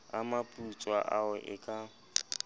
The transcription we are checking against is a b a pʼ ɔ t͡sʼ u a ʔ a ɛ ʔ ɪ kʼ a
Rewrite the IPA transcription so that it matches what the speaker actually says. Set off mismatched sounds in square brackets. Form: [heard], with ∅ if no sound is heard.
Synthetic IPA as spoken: a [m] a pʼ [u] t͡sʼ [w] a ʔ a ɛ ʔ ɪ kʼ a